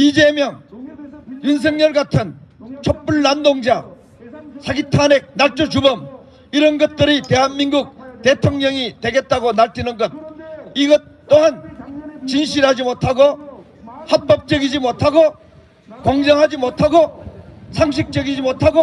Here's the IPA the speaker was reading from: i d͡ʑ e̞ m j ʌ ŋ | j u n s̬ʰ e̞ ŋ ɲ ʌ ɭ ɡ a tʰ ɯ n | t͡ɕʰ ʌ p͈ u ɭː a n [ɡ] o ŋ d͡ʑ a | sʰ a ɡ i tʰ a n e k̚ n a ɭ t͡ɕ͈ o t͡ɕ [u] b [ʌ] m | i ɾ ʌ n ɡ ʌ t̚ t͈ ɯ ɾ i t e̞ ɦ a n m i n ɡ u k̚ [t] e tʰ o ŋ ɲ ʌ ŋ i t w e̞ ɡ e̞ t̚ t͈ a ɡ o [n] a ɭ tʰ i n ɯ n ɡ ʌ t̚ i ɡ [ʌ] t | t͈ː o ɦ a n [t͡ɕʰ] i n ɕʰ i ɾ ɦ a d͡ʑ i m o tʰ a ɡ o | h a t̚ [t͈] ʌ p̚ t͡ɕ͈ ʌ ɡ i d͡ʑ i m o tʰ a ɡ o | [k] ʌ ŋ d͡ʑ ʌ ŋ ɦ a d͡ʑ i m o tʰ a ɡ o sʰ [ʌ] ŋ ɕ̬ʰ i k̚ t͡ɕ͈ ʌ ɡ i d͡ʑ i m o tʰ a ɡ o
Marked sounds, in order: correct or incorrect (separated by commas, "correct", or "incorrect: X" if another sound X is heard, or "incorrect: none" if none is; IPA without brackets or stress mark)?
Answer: incorrect: d, correct, correct, correct, correct, correct, incorrect: t͡ɕ, incorrect: p͈, correct, incorrect: a